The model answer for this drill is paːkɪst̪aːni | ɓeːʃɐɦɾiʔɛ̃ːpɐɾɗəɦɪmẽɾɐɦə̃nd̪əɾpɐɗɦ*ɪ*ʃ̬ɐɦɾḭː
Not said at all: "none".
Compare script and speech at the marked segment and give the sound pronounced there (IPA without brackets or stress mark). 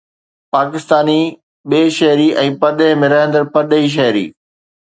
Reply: i